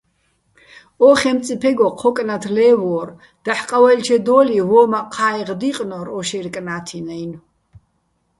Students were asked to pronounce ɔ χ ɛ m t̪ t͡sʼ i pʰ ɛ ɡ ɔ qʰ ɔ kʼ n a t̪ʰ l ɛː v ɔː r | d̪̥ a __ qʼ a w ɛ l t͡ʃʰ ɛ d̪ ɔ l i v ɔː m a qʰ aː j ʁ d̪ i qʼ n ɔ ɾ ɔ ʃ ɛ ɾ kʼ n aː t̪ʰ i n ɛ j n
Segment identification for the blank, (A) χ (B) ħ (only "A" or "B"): B